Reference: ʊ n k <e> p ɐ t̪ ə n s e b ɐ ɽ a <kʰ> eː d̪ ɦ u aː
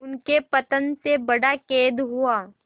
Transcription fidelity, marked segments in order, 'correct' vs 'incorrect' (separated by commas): correct, incorrect